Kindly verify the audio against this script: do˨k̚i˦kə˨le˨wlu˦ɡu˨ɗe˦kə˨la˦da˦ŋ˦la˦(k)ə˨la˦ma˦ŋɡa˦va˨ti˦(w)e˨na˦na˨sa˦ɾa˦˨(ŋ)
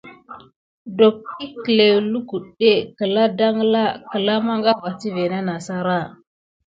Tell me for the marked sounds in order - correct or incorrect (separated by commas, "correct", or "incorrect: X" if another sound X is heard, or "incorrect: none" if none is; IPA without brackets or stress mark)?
correct, incorrect: v, incorrect: none